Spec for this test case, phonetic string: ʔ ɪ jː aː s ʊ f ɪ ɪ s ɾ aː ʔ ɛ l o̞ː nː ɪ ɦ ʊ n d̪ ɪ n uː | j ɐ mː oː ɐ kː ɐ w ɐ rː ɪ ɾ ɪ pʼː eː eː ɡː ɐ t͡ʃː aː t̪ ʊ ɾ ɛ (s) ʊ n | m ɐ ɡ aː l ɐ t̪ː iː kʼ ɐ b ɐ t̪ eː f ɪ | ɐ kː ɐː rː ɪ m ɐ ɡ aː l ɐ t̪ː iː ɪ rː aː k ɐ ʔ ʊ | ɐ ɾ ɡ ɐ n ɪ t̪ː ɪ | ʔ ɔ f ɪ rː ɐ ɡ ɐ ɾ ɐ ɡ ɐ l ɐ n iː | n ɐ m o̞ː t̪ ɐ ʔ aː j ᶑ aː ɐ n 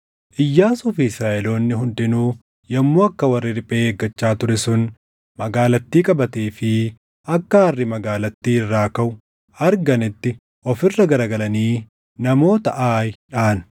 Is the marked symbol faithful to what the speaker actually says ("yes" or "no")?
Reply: yes